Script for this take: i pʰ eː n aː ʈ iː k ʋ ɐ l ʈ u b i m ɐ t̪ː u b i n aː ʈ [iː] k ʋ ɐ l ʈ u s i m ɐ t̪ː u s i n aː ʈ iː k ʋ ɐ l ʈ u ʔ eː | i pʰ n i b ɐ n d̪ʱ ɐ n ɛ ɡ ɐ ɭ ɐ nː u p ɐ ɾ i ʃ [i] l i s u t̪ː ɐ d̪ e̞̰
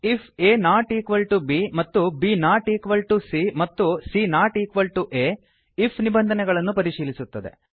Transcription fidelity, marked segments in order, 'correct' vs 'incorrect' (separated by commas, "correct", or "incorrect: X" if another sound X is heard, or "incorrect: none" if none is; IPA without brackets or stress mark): correct, incorrect: iː